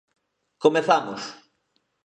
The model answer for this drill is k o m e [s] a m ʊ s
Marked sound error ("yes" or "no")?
yes